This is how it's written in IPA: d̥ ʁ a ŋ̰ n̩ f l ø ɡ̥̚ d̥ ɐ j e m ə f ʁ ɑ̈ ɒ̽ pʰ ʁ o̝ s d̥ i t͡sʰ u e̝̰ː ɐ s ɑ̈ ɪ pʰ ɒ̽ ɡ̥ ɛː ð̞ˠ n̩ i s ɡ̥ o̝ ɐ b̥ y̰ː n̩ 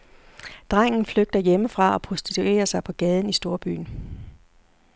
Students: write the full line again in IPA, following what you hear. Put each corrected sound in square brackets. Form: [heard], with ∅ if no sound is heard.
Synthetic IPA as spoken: d̥ ʁ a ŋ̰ n̩ f l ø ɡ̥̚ d̥ ɐ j e m ə f ʁ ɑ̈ ɒ̽ pʰ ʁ o̝ s d̥ i t͡sʰ u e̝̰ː ɐ s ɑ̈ ɪ pʰ ɒ̽ ɡ̥ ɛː ð̞ˠ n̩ i s [d̥] o̝ ɐ b̥ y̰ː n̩